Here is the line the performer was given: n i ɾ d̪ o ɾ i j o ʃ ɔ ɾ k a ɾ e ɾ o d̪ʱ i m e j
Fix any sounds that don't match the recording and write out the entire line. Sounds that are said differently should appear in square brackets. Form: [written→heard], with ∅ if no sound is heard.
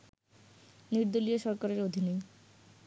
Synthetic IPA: n i ɾ d̪ o [ɾ→l] i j o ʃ ɔ ɾ k a ɾ e ɾ o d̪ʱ i [m→n] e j